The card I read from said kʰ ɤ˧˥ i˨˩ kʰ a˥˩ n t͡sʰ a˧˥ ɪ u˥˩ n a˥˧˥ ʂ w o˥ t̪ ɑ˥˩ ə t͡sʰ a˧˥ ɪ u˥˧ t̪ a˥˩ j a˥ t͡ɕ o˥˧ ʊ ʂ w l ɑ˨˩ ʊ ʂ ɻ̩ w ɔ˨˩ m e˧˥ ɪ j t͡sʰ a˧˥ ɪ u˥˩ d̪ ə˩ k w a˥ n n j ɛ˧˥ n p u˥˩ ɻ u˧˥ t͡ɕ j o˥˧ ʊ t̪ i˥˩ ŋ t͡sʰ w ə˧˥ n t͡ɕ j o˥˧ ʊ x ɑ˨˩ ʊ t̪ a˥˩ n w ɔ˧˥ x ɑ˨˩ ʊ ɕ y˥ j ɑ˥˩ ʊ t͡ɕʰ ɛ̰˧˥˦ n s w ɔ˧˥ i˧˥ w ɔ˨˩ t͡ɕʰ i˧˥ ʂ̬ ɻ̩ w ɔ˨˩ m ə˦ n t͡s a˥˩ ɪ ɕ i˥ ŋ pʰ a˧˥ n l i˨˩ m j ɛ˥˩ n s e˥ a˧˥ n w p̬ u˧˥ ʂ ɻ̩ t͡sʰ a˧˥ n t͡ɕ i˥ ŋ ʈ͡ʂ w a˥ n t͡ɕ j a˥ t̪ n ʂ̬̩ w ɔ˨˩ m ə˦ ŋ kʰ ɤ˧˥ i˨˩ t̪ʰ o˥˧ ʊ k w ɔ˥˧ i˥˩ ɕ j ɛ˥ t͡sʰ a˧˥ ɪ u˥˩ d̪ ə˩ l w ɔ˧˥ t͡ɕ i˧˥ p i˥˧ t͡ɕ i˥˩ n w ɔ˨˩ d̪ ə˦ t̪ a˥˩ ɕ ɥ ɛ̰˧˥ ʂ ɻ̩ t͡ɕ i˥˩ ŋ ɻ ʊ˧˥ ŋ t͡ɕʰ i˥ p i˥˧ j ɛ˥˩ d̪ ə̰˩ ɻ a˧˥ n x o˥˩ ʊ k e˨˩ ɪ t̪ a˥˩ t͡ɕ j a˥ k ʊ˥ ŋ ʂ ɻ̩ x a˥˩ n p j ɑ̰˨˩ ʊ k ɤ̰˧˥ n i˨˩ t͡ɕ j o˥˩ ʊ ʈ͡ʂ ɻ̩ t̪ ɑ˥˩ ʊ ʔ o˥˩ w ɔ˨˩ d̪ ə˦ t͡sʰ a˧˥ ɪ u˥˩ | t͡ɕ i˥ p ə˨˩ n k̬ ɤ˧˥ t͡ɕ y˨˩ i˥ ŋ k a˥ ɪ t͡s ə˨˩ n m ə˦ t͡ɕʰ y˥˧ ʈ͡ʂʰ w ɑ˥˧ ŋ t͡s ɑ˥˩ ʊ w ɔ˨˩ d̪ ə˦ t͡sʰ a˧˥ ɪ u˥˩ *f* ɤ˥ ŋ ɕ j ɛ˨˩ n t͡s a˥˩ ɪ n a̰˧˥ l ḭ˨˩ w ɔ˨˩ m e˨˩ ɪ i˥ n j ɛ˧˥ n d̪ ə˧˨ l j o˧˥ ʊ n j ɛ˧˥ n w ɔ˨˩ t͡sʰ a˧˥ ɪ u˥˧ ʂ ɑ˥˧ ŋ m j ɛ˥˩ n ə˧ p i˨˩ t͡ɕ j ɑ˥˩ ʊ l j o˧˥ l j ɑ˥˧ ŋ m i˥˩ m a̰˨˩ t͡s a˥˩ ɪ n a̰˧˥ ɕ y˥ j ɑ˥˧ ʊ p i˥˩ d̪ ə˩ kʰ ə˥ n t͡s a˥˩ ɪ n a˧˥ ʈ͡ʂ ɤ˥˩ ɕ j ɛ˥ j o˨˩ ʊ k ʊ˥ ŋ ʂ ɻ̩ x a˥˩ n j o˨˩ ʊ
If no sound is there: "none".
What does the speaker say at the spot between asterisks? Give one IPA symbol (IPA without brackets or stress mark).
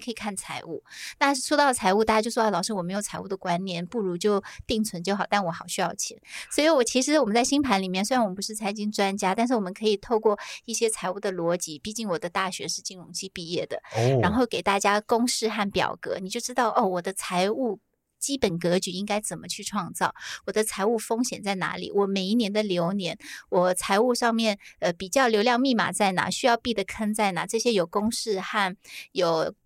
f